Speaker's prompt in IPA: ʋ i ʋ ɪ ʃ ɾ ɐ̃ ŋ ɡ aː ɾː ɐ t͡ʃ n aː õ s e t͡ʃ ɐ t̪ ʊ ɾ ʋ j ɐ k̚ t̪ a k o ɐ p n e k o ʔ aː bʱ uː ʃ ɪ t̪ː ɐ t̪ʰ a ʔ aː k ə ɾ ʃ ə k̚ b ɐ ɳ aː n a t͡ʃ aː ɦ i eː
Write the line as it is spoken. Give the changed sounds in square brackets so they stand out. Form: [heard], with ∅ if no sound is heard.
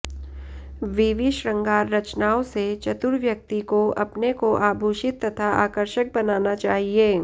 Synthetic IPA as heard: ʋ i ʋ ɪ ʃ ɾ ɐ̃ ŋ ɡ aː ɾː ɐ t͡ʃ n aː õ s e t͡ʃ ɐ t̪ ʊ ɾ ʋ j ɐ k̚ t̪ [i] k o ɐ p n e k o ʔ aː bʱ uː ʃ ɪ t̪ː ɐ t̪ʰ a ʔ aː k ə ɾ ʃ ə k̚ b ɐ [n] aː n a t͡ʃ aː ɦ i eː